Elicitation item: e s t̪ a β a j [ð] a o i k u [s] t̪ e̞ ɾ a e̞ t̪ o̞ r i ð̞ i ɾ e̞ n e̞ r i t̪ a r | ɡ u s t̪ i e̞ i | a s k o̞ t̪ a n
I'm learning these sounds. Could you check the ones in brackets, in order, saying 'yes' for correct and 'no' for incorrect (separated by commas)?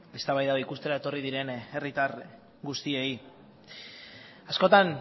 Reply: yes, yes